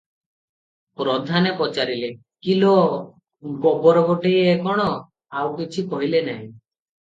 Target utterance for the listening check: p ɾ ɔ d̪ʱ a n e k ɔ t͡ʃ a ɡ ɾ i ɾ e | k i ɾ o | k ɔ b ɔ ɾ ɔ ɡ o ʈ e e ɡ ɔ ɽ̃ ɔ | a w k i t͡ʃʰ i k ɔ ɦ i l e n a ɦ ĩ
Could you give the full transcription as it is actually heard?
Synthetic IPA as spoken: p ɾ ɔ d̪ʱ a n e p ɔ t͡ʃ a ɾ i l e | k i l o | ɡ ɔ b ɔ ɾ ɔ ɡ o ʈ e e k ɔ ɽ̃ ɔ | a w k i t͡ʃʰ i k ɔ ɦ i l e n a ɦ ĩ

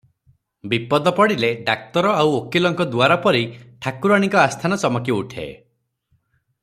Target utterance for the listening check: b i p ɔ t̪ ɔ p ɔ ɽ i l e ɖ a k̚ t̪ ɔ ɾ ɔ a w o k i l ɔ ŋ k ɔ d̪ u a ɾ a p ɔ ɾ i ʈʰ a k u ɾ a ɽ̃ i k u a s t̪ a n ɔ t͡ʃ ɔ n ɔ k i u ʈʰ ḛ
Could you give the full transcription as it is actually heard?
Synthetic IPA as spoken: b i p ɔ d̪ ɔ p ɔ ɽ i l e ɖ a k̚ t̪ ɔ ɾ ɔ a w o k i l ɔ ŋ k ɔ d̪ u a ɾ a p ɔ ɾ i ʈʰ a k u ɾ a ɽ̃ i k ɔ a s t̪ʰ a n ɔ t͡ʃ ɔ m ɔ k i u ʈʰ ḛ

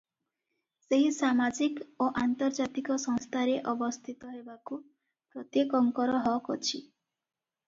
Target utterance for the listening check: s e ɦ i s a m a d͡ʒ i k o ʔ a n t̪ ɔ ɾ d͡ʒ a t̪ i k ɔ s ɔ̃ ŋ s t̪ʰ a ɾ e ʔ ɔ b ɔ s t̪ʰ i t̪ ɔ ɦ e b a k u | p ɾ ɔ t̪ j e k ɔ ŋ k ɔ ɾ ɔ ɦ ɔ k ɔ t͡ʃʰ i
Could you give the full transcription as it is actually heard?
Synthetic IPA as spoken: s e ɦ i s a m a d͡ʒ i k o ʔ a n t̪ ɔ ɾ d͡ʒ a t̪ i k ɔ s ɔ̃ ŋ s t̪ʰ a ɾ e ʔ ɔ b ɔ s t̪ʰ i t̪ ɔ ɦ e b a k u | p ɾ ɔ t̪ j e k ɔ ŋ k ɔ ɾ ɔ ɦ ɔ k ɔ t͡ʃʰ i

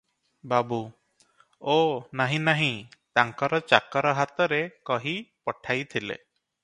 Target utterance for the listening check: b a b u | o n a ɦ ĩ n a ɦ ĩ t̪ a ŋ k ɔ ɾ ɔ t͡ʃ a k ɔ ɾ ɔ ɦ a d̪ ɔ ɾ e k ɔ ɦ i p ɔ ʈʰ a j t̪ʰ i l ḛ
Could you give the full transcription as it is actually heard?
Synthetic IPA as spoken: b a b u | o n a ɦ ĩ n a ɦ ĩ t̪ a ŋ k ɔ ɾ ɔ t͡ʃ a k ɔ ɾ ɔ ɦ a t̪ ɔ ɾ e k ɔ ɦ i p ɔ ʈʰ a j t̪ʰ i l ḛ

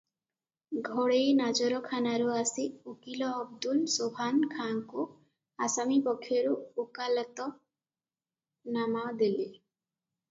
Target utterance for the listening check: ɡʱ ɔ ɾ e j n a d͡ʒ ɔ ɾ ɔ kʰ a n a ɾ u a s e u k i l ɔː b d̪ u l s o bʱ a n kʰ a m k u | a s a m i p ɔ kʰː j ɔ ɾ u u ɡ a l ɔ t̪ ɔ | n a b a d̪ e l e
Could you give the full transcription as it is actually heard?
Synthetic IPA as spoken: ɡʱ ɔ ɽ e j n a d͡ʒ ɔ ɾ ɔ kʰ a n a ɾ u a s i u k i l ɔː b d̪ u l s o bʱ a n kʰ a ŋ k u | a s a m i p ɔ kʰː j ɔ ɾ u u k a l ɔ t̪ ɔ | n a m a d̪ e l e

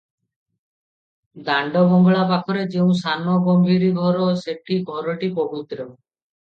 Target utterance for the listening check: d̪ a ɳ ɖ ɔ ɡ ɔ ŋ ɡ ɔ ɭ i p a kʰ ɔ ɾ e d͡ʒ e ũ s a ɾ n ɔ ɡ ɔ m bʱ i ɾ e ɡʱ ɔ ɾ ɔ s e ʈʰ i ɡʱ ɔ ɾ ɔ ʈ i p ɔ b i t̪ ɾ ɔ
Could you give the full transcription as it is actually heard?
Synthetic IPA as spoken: d̪ a ɳ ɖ ɔ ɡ ɔ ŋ ɡ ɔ ɭ a p a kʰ ɔ ɾ e d͡ʒ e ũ s a n ɔ ɡ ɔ m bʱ i ɾ i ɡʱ ɔ ɾ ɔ s e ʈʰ i ɡʱ ɔ ɾ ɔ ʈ i p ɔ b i t̪ ɾ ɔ

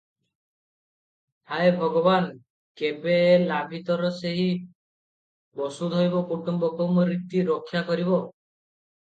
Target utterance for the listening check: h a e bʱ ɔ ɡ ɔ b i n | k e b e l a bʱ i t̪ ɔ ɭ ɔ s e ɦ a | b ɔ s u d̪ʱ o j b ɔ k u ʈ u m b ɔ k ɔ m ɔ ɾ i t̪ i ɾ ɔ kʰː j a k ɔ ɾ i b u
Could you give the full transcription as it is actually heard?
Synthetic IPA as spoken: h a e bʱ ɔ ɡ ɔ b a n | k e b e l a bʱ i t̪ ɔ ɾ ɔ s e ɦ i | b ɔ s u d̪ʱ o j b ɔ k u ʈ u m b ɔ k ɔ m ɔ ɾ i t̪ i ɾ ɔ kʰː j a k ɔ ɾ i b ɔ

